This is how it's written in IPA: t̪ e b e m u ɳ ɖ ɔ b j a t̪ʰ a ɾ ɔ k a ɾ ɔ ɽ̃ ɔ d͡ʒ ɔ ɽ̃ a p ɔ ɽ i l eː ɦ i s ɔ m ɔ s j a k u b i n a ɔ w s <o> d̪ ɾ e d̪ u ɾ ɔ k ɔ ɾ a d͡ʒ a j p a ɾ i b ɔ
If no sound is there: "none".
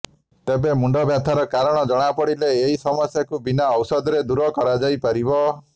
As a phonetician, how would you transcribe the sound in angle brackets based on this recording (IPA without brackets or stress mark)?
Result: ɔ